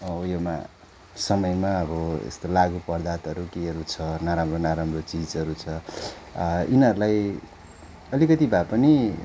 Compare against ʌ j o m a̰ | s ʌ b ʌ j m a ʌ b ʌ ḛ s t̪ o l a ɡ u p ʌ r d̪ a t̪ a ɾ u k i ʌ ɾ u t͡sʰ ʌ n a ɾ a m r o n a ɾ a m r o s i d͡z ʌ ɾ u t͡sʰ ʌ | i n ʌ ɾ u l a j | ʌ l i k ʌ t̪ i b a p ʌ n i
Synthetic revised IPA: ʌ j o m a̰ | s ʌ m ʌ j m a ʌ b ʌ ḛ s t̪ o l a ɡ u p ʌ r d̪ a t̪ ʌ ɾ u k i ʌ ɾ u t͡sʰ ʌ n a ɾ a m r o n a ɾ a m r o t͡s i d͡z ʌ ɾ u t͡sʰ ʌ | i n ʌ ɾ u l a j | ʌ l i k ʌ t̪ i b a p ʌ n i